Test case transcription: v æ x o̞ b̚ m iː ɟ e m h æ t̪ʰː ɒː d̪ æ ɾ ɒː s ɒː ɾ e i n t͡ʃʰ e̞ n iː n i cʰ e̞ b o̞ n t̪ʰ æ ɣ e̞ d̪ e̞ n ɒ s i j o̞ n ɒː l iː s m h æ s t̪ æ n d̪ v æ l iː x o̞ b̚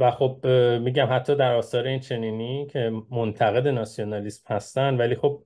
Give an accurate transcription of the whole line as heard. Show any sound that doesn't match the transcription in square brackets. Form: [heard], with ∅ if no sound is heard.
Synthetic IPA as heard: v æ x o̞ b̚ m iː ɟ [æ] m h æ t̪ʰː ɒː d̪ æ ɾ ɒː s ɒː ɾ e i n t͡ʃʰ e̞ n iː n i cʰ e̞ [m] o̞ n t̪ʰ æ ɣ e̞ d̪ e̞ n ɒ s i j o̞ n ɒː l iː s m h æ s t̪ æ n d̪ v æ l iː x o̞ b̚

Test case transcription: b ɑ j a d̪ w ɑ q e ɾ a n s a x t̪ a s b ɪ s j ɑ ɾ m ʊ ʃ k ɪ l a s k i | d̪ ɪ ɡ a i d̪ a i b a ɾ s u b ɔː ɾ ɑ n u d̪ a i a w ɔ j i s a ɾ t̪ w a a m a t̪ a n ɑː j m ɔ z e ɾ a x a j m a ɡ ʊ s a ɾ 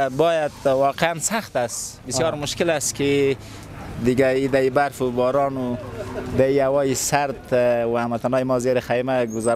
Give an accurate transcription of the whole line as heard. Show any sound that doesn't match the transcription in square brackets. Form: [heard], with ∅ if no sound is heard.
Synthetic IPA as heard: b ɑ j a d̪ w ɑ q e [∅] a n s a x t̪ a s b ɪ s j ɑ ɾ m ʊ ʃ k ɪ l a s k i | d̪ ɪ ɡ a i d̪ a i b a ɾ [f] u b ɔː ɾ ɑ n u d̪ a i a w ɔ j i s a ɾ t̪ w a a m a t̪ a n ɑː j m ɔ z e ɾ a x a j m a ɡ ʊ [z] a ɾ

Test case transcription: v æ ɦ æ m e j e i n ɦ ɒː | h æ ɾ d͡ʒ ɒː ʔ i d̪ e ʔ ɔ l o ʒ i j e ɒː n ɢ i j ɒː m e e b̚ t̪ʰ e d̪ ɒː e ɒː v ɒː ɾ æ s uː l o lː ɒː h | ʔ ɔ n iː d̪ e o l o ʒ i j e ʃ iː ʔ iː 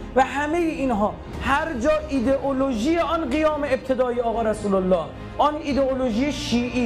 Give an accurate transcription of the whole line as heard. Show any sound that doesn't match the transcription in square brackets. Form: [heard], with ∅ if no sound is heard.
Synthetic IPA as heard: v æ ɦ æ m e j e i n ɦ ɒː | h æ ɾ d͡ʒ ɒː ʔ i d̪ e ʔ [o] l o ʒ i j e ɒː n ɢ i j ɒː m e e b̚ t̪ʰ e d̪ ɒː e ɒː [ɣ] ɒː ɾ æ s uː l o lː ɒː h | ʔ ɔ n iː d̪ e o l o ʒ i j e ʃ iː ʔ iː

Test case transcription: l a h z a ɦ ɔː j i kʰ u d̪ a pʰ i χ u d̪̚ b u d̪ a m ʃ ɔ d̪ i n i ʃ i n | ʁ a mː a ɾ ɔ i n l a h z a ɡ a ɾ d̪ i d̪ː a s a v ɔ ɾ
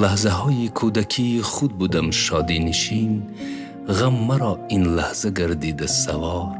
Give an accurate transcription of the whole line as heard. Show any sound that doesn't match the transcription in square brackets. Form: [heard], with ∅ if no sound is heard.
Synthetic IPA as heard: l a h z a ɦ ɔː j i kʰ u d̪ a [kʰ] i χ u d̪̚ b u d̪ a m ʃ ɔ d̪ i n i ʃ i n | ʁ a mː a ɾ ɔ i n l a h z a ɡ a ɾ d̪ i [d̪] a s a v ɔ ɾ

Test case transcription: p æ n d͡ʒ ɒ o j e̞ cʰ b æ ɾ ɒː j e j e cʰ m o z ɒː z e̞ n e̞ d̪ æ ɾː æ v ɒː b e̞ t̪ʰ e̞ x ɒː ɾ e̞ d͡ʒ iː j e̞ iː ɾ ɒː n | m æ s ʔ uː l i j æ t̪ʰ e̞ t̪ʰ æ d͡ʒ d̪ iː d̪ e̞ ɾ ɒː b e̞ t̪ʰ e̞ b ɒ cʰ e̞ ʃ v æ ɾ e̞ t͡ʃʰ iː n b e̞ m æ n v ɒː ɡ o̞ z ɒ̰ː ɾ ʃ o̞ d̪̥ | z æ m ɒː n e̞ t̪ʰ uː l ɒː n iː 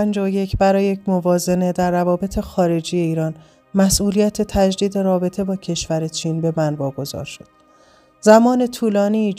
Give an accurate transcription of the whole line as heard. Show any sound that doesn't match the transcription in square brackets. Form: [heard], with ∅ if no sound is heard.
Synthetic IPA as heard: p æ n d͡ʒ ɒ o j e̞ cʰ b æ ɾ ɒː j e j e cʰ m o [v] ɒː z e̞ n e̞ d̪ æ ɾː æ v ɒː b e̞ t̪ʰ e̞ x ɒː ɾ e̞ d͡ʒ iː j e̞ iː ɾ ɒː n | m æ s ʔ uː l i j æ t̪ʰ e̞ t̪ʰ æ d͡ʒ d̪ iː d̪ e̞ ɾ ɒː b e̞ t̪ʰ e̞ b [ɒː] cʰ e̞ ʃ v æ ɾ e̞ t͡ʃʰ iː n b e̞ m æ n v ɒː ɡ o̞ z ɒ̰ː ɾ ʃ o̞ d̪̥ | z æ m ɒː n e̞ t̪ʰ uː l ɒː n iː

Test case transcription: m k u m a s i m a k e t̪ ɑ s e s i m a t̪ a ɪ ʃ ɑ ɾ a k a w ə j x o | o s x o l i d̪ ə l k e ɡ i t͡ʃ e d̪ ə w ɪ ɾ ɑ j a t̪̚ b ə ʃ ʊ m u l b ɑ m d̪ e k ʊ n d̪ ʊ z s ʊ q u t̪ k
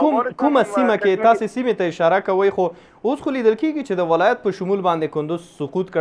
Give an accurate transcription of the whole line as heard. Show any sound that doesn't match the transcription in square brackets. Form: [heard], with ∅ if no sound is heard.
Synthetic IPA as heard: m k u m a s i m a k e t̪ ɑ s e s i m [e] t̪ a ɪ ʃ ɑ ɾ a k a w ə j x o | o s x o l i d̪ ə l k e ɡ i t͡ʃ e d̪ ə w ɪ [l] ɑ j a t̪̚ [p] ə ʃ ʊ m u l b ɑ [n] d̪ e k ʊ n d̪ ʊ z s ʊ q u t̪ k

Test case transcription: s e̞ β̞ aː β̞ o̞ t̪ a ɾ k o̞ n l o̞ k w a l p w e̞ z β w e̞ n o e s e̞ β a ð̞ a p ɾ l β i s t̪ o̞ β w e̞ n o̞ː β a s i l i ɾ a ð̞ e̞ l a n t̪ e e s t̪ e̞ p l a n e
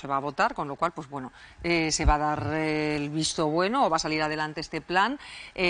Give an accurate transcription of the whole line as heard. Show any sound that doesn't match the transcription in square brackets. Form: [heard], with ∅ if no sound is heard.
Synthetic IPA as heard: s e̞ β̞ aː β̞ o̞ t̪ a ɾ k o̞ n l o̞ k w a l p w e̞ z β w e̞ n o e s e̞ β a ð̞ a [∅] ɾ l β i s t̪ o̞ β w e̞ n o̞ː β a s [a] l i ɾ a ð̞ e̞ l a n t̪ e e s t̪ e̞ p l a n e

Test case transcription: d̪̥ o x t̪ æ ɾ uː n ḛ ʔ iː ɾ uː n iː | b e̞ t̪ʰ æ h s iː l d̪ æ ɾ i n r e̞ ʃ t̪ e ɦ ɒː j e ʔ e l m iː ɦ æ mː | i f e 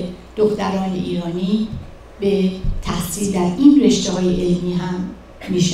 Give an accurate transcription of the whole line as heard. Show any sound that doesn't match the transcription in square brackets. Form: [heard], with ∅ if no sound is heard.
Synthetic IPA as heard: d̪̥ o x t̪ æ ɾ [ɒː] n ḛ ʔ iː ɾ [ɒː] n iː | b e̞ t̪ʰ æ h s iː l d̪ æ ɾ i n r e̞ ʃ t̪ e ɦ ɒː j e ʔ e l m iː ɦ æ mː | i [ʃ] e

